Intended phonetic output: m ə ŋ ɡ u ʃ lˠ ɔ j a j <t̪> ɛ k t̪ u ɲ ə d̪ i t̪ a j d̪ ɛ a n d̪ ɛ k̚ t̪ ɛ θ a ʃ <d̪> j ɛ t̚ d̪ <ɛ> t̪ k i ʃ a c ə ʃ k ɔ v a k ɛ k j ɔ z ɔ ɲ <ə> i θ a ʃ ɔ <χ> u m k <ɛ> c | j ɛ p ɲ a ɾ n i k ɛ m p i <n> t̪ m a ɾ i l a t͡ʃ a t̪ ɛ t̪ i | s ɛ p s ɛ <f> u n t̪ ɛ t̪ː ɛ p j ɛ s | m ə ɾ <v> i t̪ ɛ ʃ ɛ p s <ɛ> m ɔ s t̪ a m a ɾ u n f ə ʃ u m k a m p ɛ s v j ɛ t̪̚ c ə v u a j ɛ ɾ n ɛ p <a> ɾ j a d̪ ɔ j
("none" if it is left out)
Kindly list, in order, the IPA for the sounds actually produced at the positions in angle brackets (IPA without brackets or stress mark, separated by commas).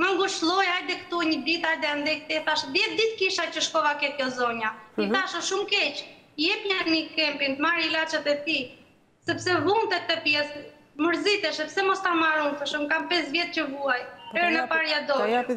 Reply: d̪, d̪, i, a, ʃ, ɛ, n, v, z, ɛ, a